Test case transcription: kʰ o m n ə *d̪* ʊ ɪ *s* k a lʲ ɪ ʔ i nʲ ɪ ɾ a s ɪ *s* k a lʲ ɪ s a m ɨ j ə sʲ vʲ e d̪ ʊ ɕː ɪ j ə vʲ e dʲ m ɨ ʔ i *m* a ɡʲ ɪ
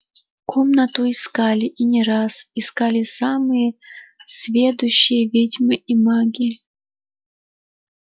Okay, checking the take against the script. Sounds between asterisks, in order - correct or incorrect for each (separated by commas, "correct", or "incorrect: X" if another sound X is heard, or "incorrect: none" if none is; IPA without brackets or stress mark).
incorrect: t̪, correct, correct, correct